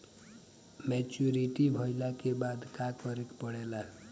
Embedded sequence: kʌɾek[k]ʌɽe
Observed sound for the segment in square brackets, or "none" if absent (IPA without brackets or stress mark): p